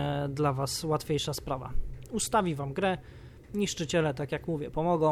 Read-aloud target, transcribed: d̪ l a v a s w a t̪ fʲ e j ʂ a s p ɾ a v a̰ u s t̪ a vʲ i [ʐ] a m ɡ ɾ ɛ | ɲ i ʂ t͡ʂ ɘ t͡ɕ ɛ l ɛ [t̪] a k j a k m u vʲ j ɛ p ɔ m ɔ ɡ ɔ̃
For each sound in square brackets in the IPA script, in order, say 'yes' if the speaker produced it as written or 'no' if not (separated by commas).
no, yes